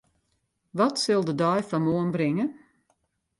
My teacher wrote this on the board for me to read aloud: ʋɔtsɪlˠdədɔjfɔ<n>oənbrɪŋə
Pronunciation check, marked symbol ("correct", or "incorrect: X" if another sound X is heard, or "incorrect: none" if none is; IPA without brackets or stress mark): incorrect: m